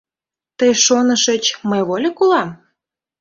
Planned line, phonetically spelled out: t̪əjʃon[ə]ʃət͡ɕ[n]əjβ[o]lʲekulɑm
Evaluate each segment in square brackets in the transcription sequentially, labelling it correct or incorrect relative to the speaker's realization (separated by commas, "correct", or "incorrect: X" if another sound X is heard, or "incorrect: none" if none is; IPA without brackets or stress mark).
correct, incorrect: m, correct